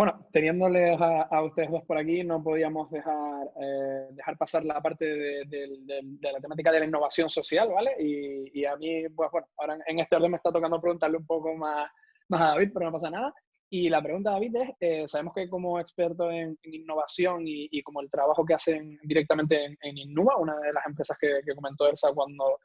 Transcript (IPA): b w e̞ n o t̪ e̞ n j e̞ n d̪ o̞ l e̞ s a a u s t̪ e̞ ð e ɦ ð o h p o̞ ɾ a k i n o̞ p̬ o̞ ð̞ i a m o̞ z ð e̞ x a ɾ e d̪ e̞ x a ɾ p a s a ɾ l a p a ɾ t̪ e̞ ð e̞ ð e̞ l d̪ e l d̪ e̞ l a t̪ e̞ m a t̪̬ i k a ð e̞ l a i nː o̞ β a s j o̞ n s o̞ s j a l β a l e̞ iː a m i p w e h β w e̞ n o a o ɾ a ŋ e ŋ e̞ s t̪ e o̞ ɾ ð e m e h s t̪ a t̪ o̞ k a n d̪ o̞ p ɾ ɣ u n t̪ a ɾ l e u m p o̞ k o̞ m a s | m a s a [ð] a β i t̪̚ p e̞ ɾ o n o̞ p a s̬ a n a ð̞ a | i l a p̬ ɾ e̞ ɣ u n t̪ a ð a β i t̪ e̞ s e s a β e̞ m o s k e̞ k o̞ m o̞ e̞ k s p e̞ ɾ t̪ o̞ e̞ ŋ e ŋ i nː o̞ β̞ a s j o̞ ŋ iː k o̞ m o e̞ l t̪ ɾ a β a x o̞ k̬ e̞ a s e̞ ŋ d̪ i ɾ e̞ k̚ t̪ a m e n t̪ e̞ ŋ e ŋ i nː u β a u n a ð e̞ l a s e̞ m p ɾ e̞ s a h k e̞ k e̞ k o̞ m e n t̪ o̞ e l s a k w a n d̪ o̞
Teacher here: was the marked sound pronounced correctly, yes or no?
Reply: yes